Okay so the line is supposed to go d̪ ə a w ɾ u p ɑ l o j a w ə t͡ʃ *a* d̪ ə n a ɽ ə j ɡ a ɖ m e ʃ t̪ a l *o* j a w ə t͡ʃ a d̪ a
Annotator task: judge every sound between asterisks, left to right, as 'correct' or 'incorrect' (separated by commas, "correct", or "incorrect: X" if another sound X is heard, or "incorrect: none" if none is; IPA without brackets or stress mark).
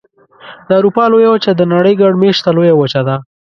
correct, correct